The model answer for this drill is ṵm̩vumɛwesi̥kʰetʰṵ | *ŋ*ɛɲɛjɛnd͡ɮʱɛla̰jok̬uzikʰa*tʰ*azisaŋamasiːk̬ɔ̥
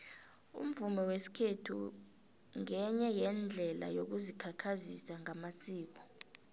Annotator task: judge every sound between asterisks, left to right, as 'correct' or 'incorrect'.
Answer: correct, incorrect: kʰ

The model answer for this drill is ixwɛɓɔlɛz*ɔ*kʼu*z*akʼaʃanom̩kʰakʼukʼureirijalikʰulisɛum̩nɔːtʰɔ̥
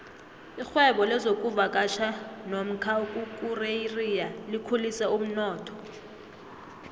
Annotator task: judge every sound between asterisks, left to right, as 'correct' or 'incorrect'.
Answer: incorrect: o, incorrect: v

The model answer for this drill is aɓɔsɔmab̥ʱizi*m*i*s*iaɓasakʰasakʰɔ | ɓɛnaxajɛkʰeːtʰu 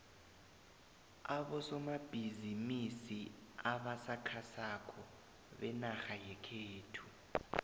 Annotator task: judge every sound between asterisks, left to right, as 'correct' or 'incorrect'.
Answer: correct, correct

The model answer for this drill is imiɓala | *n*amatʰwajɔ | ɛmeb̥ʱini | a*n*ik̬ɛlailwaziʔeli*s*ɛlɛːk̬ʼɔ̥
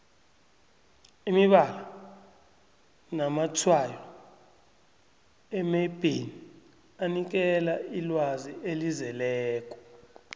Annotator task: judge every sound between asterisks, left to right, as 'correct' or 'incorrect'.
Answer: correct, correct, incorrect: z

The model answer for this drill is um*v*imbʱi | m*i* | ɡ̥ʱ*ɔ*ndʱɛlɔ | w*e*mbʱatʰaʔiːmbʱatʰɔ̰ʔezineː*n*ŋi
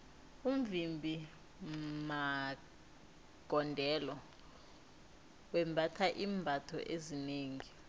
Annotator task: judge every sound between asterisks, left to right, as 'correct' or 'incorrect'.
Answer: correct, incorrect: a, correct, incorrect: ɛ, incorrect: none

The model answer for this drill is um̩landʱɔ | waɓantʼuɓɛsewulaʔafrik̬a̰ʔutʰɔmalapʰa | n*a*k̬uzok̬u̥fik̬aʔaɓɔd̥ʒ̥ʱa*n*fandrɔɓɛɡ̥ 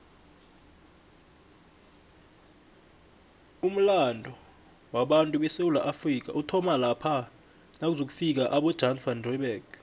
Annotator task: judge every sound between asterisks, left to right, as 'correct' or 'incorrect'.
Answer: correct, correct

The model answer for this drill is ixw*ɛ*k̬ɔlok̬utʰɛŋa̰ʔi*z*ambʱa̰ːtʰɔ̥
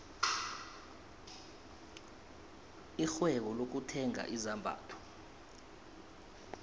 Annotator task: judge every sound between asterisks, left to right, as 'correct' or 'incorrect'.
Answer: correct, correct

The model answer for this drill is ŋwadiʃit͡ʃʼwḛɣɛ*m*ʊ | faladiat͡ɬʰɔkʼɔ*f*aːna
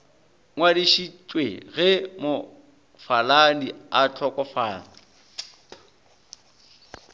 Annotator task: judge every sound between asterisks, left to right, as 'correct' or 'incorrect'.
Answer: correct, correct

